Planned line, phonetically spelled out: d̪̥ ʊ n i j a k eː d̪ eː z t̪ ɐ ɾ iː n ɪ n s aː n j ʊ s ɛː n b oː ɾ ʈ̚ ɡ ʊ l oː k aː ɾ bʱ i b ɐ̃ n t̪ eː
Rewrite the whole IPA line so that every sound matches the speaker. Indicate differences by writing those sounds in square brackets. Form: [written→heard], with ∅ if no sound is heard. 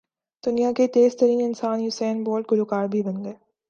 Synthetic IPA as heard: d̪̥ ʊ n i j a k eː [d̪→t̪] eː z t̪ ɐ ɾ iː n ɪ n s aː n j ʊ s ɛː n b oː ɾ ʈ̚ ɡ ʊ l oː k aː ɾ bʱ i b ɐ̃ n [t̪→d̪] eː